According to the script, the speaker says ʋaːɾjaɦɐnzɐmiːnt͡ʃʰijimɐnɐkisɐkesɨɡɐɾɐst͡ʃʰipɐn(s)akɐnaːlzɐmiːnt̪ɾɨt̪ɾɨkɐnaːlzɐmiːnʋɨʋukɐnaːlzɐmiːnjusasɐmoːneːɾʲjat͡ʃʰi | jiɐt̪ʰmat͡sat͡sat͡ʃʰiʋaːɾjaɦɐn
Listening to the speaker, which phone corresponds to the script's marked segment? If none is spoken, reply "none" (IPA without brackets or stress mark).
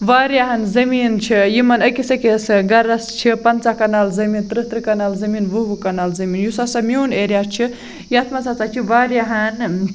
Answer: t͡s